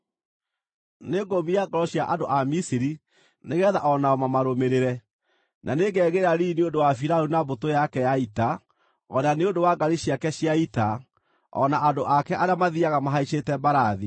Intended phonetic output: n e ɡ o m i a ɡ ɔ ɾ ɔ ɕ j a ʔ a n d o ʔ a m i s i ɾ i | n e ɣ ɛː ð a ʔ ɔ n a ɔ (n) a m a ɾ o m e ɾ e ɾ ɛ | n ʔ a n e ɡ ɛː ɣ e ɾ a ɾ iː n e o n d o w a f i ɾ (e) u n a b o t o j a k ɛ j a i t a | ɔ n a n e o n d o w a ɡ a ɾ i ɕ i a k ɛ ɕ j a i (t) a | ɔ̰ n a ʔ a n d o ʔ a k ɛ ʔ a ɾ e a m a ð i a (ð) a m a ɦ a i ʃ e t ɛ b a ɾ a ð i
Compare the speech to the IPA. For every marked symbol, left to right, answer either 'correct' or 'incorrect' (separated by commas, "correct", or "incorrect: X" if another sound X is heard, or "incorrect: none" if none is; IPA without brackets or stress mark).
incorrect: m, incorrect: a, correct, incorrect: ɣ